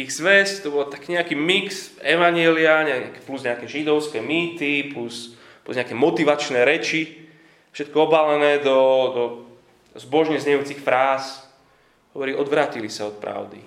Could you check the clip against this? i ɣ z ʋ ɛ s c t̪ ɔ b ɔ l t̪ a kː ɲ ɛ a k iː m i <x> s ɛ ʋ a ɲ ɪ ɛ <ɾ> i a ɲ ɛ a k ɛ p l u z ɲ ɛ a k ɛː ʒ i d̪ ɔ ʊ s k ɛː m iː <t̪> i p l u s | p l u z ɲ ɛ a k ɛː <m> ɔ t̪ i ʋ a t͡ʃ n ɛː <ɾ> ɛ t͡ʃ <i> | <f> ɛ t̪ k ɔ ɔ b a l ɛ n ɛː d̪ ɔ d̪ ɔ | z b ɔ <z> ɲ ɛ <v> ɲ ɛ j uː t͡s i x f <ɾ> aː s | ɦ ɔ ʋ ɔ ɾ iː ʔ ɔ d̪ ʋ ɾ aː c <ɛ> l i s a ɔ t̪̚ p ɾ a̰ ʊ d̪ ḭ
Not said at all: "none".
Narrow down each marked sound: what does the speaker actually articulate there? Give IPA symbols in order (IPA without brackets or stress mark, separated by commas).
k, l, t̪, m, ɾ, i, ʃ, ʒ, z, ɾ, i